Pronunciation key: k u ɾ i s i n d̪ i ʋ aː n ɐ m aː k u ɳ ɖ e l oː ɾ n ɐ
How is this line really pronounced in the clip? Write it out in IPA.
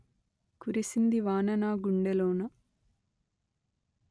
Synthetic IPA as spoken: k u ɾ i s i n d̪ i ʋ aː n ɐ n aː ɡ u ɳ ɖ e l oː n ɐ

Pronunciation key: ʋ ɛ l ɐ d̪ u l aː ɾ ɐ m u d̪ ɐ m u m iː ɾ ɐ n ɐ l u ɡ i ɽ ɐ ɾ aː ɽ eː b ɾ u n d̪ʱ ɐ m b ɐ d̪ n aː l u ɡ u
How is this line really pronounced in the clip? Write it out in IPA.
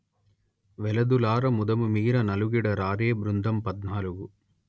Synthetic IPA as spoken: ʋ ɛ l ɐ d̪ u l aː ɾ ɐ m u d̪ ɐ m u m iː ɾ ɐ n ɐ l u ɡ i ɽ ɐ ɾ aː ɾ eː b ɾ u n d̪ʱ ɐ m p ɐ d̪ n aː l u ɡ u

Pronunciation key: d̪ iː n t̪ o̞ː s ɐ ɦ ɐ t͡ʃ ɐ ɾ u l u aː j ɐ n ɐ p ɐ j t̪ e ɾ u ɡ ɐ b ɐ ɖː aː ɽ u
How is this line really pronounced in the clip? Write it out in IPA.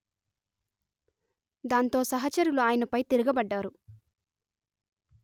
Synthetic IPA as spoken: d̪ aː n t̪ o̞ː s ɐ ɦ ɐ t͡ʃ ɐ ɾ u l u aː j ɐ n ɐ p ɐ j t̪ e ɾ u ɡ ɐ b ɐ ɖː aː ɾ u

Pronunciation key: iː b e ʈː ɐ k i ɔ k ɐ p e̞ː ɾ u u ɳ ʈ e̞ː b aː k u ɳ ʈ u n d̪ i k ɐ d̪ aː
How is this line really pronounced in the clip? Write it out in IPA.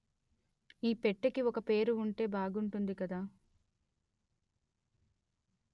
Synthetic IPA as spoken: iː p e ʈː ɐ k i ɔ k ɐ p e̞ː ɾ u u ɳ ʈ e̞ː b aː ɡ u ɳ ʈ u n d̪ i k ɐ d̪ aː

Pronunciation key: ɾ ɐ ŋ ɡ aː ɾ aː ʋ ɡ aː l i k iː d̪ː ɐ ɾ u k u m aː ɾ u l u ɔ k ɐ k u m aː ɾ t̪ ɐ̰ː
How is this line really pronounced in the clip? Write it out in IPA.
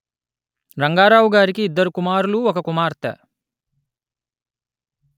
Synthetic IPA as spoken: ɾ ɐ ŋ ɡ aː ɾ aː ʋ ɡ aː ɾ i k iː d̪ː ɐ ɾ u k u m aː ɾ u l u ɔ k ɐ k u m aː ɾ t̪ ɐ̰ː

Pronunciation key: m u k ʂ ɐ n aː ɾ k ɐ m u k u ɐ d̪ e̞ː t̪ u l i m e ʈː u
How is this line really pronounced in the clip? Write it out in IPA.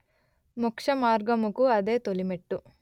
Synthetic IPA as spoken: m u k ʂ ɐ m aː ɾ ɡ ɐ m u k u ɐ d̪ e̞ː t̪ o l i m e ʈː u

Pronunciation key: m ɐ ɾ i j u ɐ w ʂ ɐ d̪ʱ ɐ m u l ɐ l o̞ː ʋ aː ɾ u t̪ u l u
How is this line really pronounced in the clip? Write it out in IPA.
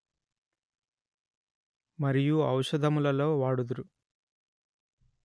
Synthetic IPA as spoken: m ɐ ɾ i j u ɐ w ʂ ɐ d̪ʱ ɐ m u l ɐ l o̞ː ʋ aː ɽ u d̪ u ɾ u

